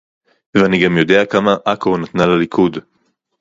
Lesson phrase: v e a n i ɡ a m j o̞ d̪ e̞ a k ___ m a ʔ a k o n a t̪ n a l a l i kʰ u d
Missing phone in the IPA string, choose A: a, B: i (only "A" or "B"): A